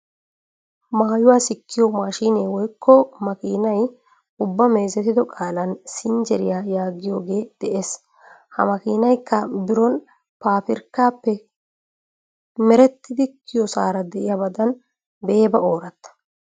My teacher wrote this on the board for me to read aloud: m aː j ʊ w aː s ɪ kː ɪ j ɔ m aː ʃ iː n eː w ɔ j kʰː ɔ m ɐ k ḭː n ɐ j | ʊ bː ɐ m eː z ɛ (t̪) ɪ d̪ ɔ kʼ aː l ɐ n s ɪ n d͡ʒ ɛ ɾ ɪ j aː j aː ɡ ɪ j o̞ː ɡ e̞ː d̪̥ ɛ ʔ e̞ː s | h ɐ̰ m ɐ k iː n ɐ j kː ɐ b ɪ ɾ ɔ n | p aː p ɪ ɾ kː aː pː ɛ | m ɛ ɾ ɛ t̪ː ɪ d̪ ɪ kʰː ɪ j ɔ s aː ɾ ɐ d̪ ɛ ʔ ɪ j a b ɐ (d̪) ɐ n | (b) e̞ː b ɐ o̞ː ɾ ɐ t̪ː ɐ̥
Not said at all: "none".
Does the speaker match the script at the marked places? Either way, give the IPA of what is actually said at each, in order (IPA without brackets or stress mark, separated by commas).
t̪, d̪, b